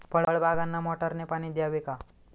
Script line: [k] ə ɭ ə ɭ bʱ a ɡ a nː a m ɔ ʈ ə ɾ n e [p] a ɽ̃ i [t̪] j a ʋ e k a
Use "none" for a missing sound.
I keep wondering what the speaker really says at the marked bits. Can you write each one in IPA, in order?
p, p, d̪

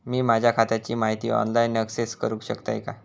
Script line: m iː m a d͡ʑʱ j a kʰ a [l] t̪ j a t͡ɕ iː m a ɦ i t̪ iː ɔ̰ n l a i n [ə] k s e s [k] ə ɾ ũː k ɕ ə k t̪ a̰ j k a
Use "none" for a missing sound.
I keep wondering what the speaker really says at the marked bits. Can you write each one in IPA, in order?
none, ə, k

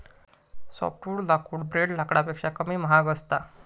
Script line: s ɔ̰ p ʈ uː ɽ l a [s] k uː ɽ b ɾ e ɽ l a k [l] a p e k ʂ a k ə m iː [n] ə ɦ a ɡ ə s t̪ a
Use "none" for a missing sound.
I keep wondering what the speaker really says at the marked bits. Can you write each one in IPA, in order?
none, ɽ, m

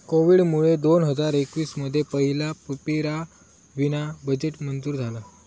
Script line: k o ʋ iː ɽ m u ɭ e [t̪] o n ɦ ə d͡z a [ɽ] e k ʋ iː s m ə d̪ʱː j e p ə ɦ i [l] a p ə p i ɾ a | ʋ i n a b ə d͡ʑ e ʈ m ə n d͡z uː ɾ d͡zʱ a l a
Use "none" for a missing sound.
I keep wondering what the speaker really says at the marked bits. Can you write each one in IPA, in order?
d̪, ɾ, l

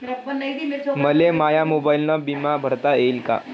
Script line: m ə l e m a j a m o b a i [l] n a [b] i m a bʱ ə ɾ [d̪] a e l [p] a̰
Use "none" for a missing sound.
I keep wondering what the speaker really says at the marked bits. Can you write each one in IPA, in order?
l, b, t̪, k

